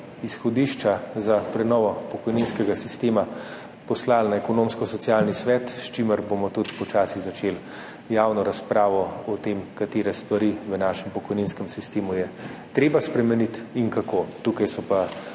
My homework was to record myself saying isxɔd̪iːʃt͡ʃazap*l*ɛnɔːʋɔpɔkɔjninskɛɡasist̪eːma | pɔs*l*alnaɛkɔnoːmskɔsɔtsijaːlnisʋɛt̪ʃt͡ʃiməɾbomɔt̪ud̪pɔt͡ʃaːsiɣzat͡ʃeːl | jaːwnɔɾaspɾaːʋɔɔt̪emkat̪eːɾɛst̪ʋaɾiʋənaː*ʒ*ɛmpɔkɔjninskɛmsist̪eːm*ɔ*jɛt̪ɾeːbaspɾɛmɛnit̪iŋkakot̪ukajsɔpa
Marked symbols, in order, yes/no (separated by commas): no, yes, no, no